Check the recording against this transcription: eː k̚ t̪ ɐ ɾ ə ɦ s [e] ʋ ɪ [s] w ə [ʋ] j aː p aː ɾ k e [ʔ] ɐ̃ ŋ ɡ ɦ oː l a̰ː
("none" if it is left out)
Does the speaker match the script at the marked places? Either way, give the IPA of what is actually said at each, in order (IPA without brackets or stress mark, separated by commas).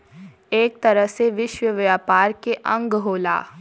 e, ʃ, ʋ, ʔ